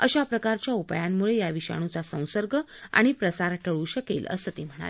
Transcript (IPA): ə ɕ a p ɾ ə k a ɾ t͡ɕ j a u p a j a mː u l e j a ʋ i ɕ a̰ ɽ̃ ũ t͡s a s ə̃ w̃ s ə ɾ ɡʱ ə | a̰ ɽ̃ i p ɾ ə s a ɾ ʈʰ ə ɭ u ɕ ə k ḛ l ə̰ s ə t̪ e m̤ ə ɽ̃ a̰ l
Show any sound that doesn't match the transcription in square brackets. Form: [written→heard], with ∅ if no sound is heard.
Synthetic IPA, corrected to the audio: ə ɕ a p ɾ ə k a ɾ t͡ɕ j a u p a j a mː u [l→ɭ] e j a ʋ i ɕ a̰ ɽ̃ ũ t͡s a s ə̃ w̃ s ə ɾ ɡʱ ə | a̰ ɽ̃ i p ɾ ə s a ɾ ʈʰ ə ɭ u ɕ ə k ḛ l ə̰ s ə t̪ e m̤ ə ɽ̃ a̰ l